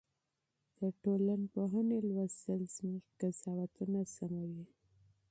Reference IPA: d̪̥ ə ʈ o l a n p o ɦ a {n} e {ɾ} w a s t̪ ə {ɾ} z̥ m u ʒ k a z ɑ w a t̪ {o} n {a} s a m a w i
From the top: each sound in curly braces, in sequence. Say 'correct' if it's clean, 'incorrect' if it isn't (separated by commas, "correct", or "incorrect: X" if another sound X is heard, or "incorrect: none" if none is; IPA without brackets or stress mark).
correct, incorrect: l, incorrect: l, incorrect: u, correct